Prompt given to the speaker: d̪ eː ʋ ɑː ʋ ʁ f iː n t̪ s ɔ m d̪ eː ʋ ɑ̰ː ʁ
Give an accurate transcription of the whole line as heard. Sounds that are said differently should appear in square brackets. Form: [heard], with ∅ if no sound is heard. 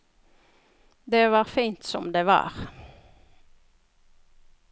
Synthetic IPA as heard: d̪ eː ʋ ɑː [∅] ʁ f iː n t̪ s ɔ m d̪ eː ʋ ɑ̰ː ʁ

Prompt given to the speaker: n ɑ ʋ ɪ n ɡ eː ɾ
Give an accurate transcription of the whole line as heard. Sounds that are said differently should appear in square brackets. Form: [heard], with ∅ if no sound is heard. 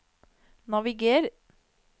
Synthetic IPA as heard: n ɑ ʋ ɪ [∅] ɡ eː ɾ

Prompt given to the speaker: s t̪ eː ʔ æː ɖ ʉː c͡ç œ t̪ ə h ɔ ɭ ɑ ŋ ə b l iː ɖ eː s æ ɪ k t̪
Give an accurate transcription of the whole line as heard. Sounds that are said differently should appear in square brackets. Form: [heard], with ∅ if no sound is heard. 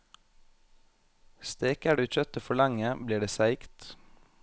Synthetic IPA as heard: s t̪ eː [k] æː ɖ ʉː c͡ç œ t̪ ə [f] ɔ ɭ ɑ ŋ ə b l iː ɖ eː s æ ɪ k t̪

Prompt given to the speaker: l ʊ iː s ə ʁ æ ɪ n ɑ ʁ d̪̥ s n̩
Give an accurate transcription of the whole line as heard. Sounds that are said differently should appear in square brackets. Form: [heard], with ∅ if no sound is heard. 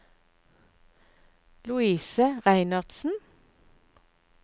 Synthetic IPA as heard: l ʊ iː s ə ʁ æ ɪ n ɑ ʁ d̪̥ s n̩

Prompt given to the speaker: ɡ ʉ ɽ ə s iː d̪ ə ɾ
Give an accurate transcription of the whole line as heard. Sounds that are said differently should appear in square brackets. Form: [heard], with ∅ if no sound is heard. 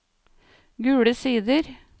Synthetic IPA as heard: ɡ [ʉː] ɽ ə s iː d̪ ə ɾ

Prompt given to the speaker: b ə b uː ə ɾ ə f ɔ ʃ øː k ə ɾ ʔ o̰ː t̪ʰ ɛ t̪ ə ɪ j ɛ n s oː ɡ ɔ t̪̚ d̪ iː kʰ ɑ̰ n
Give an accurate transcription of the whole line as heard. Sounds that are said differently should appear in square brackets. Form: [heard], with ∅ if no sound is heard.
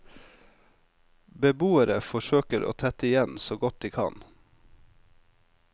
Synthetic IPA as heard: b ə b uː ə ɾ ə f ɔ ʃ øː k ə ɾ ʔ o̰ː t̪ʰ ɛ t̪ ə ɪ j ɛ n s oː ɡ ɔ t̪̚ d̪ iː kʰ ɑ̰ n

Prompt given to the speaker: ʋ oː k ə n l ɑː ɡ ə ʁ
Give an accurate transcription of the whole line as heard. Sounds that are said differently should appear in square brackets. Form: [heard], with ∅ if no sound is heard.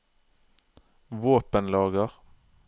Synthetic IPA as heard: ʋ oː [p] ə n l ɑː ɡ ə ʁ

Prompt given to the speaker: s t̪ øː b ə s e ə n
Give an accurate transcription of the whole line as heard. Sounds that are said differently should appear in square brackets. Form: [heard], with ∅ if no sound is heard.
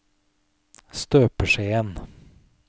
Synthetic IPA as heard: s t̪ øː [p] ə [ʂ] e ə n

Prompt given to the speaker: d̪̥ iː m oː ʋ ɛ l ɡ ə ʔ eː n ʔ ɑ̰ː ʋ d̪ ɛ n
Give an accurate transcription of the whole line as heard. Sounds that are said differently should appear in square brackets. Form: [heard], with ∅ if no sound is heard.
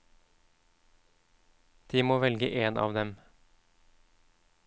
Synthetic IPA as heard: d̪̥ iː m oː ʋ ɛ l ɡ ə ʔ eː n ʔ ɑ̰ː ʋ d̪ ɛ [m]

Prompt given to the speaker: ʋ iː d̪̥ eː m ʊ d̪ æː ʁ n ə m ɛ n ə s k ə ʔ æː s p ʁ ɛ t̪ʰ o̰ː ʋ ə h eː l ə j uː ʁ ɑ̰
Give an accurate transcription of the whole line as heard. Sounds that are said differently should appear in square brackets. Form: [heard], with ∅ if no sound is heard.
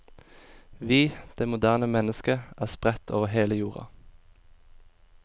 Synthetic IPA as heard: ʋ iː d̪̥ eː m ʊ d̪ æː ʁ n ə m ɛ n ə s k ə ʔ æː s p ʁ ɛ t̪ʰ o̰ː ʋ ə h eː l ə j uː ʁ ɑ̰

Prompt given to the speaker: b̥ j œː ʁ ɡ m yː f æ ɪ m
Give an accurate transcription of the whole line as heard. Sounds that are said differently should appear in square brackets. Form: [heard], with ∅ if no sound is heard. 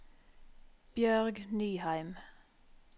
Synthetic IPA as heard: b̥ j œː ʁ ɡ [n] yː [h] æ ɪ m

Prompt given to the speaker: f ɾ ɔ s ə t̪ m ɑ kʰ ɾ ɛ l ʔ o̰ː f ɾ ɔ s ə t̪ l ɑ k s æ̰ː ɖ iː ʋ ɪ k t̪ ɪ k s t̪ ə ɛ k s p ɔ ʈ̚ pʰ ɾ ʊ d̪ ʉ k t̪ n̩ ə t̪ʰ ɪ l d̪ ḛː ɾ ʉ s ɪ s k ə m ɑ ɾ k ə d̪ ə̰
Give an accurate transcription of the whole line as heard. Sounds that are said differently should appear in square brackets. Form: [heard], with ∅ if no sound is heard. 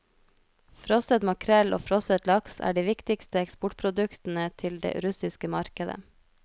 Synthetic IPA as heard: f ɾ ɔ s ə t̪ m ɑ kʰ ɾ ɛ l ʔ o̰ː f ɾ ɔ s ə t̪ l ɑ k s æ̰ː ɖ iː ʋ ɪ k t̪ ɪ k s t̪ ə ɛ k s p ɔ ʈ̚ pʰ ɾ ʊ d̪ ʉ k t̪ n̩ ə t̪ʰ ɪ l d̪ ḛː ɾ ʉ s ɪ s k ə m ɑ ɾ k ə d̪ ə̰

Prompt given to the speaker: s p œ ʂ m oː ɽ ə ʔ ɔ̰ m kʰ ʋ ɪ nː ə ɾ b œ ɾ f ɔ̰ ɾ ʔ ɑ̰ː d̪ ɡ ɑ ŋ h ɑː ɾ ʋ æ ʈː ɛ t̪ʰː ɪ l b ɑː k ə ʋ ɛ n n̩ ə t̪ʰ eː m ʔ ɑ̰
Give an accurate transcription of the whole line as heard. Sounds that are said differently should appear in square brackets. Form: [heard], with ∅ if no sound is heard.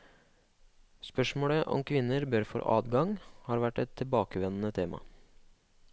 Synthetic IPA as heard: s p œ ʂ m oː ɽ ə ʔ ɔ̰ m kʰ ʋ ɪ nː ə ɾ b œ ɾ f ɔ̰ ɾ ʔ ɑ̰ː d̪ ɡ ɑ ŋ h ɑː ɾ ʋ æ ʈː ɛ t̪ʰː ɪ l b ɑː k ə ʋ ɛ n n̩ ə t̪ʰ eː m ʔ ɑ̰

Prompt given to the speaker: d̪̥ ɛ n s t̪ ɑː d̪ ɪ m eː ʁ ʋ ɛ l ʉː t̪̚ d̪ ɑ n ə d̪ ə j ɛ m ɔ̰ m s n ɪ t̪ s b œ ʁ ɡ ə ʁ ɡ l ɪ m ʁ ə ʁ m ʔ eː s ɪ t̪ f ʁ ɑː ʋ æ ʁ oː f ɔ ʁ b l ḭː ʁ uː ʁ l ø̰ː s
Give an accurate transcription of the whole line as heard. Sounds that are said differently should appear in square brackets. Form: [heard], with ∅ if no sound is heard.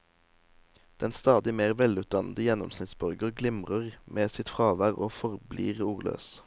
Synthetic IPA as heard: d̪̥ ɛ n s t̪ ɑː d̪ ɪ m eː ʁ ʋ ɛ l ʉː t̪̚ d̪ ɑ n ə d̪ ə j ɛ [n] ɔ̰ m s n ɪ t̪ s b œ ʁ ɡ ə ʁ ɡ l ɪ m ʁ ə ʁ m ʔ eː s ɪ t̪ f ʁ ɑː ʋ æ ʁ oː f ɔ ʁ b l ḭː ʁ uː ʁ l ø̰ː s

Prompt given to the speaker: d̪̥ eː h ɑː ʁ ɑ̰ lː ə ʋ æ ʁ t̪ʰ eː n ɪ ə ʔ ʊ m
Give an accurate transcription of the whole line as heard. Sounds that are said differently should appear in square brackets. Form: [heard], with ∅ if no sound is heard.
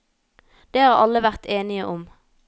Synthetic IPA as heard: d̪̥ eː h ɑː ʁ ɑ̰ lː ə ʋ æ ʁ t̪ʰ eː n ɪ ə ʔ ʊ m

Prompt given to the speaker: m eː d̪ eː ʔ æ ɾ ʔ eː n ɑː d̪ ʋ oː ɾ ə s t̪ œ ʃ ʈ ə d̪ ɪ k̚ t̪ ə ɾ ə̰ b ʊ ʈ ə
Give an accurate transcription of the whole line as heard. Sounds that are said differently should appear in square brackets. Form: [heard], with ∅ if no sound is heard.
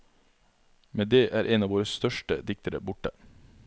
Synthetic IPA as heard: m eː d̪ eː ʔ [æː] ɾ ʔ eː n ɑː [∅] ʋ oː ɾ ə s t̪ œ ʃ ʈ ə d̪ ɪ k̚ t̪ ə ɾ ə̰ b ʊ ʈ ə

